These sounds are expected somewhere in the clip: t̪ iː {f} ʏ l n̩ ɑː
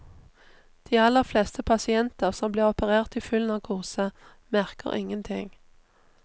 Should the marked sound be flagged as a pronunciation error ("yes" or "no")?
no